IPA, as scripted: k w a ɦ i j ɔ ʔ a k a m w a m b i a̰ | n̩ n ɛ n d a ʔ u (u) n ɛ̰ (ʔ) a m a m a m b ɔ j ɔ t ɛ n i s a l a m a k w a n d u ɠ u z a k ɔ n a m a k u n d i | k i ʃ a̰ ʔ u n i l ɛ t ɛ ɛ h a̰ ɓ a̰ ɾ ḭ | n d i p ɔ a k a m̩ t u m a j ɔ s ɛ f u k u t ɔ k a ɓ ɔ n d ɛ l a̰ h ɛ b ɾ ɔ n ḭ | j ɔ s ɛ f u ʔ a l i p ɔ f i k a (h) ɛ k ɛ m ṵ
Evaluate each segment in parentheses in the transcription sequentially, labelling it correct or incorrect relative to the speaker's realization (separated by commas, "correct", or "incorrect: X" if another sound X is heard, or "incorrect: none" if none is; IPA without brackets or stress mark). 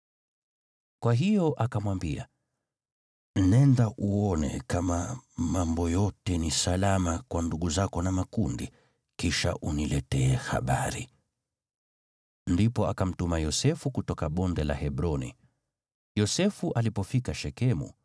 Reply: incorrect: ɔ, incorrect: k, incorrect: ʃ